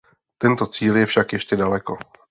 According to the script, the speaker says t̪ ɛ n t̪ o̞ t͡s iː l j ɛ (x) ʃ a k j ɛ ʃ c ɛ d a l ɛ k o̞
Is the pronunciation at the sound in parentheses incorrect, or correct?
incorrect